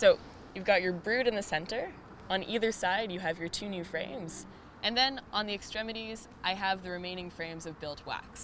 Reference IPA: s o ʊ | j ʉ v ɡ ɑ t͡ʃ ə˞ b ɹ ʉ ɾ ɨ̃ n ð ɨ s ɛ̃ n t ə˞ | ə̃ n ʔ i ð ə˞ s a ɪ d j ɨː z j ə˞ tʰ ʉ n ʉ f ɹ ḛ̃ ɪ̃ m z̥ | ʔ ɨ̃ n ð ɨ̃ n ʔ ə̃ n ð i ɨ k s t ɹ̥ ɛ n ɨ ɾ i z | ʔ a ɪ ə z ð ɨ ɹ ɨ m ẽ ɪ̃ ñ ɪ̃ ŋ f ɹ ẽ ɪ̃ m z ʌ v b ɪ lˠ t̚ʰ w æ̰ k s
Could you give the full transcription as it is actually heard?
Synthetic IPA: s o ʊ | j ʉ v ɡ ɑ t͡ʃ ə˞ b ɹ ʉ ɾ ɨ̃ n ð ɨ s ɛ̃ n t ə˞ | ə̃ n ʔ i ð ə˞ s a ɪ d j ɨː v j ə˞ tʰ ʉ n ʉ f ɹ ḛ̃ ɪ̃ m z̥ | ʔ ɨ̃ n ð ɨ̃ n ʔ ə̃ n ð i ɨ k s t ɹ̥ ɛ m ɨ ɾ i z | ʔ a ɪ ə v ð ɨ ɹ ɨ m ẽ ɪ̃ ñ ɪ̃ ŋ f ɹ ẽ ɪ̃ m z ʌ v b ɪ lˠ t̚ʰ w æ̰ k s

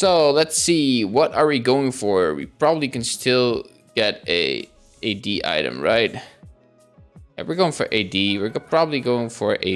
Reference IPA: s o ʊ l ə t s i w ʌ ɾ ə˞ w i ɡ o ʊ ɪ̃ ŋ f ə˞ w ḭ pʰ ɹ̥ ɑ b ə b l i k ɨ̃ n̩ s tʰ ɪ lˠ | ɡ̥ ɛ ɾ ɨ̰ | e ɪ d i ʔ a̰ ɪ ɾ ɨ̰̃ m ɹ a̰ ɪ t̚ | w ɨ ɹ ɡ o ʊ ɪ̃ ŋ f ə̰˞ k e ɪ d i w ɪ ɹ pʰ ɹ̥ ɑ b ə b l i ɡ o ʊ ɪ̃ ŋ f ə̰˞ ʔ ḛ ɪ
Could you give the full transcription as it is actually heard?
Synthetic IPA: s o ʊ l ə t s i w ʌ ɾ ə˞ w i ɡ o ʊ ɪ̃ ŋ f ə˞ w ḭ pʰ ɹ̥ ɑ b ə b l i k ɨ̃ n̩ s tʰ ɪ lˠ | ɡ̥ ɛ ɾ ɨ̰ | e ɪ d i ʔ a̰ ɪ ɾ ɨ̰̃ m ɹ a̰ ɪ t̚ | w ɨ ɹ ɡ o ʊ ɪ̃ ŋ f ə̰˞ ʔ e ɪ d i w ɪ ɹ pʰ ɹ̥ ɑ b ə b l i ɡ o ʊ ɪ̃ ŋ f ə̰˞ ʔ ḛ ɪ

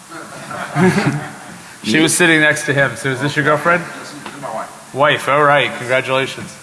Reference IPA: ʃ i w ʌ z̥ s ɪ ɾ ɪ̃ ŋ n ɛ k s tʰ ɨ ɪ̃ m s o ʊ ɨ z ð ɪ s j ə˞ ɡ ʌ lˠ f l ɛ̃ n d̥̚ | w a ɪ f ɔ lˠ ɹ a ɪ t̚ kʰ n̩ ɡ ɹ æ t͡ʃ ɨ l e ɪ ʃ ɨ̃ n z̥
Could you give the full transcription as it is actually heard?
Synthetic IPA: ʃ i w ʌ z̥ s ɪ ɾ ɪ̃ ŋ n ɛ k s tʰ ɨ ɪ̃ m s o ʊ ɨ z ð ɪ s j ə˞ ɡ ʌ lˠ f ɹ ɛ̃ n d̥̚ | w a ɪ f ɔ lˠ ɹ a ɪ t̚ kʰ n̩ ɡ ɹ æ t͡ʃ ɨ l e ɪ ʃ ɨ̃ n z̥

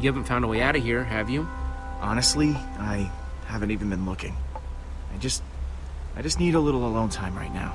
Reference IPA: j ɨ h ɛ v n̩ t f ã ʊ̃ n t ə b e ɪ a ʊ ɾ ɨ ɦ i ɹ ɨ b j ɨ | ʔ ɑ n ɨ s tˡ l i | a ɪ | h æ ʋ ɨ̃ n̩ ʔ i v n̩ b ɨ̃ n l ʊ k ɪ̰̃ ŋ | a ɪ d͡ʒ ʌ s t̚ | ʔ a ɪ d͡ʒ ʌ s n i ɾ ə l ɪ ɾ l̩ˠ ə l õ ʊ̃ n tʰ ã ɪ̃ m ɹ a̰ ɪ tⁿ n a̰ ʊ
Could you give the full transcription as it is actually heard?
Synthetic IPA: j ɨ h æ v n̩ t f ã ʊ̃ n d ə w e ɪ a ʊ ɾ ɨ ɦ i ɹ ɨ v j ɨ | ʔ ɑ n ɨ s tˡ l i | a ɪ | h æ v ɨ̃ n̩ t i v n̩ b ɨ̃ n l ʊ k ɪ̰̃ ŋ | a ɪ d͡ʒ ʌ s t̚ | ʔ a ɪ d͡ʒ ʌ s n i ɾ ə l ɪ ɾ l̩ˠ ə l õ ʊ̃ n tʰ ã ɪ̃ m ɹ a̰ ɪ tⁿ n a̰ ʊ

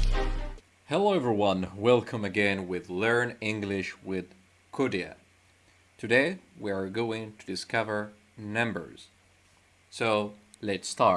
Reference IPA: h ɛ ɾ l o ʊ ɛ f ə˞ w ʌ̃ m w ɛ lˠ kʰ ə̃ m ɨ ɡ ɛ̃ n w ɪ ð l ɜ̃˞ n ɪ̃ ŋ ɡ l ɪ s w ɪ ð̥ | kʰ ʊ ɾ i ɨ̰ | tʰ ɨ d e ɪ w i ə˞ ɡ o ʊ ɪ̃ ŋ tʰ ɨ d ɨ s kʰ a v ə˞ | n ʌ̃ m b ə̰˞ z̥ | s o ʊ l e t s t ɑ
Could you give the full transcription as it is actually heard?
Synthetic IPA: h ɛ l o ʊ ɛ v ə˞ w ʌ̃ n w ɛ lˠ kʰ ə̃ m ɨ ɡ ɛ̃ n w ɪ ð l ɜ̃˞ n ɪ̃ ŋ ɡ l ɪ ʃ w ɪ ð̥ | kʰ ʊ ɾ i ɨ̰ | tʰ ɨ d e ɪ w i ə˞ ɡ o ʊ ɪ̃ ŋ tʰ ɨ d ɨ s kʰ ʌ v ə˞ | n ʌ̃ m b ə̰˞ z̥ | s o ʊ l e t s t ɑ

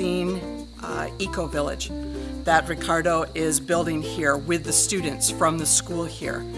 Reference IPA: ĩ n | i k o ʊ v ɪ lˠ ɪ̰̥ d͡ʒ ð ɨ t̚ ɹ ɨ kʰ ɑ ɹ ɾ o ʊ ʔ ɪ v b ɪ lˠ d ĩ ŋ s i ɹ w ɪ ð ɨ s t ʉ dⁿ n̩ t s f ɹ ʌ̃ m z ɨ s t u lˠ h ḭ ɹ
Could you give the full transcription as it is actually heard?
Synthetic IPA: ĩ n | i k o ʊ v ɪ lˠ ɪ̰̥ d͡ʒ ð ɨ t̚ ɹ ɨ kʰ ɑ ɹ ɾ o ʊ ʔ ɪ z b ɪ lˠ d ɪ̃ ŋ h i ɹ w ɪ ð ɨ s t ʉ dⁿ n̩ t s f ɹ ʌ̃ m ð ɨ s k u lˠ h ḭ ɹ

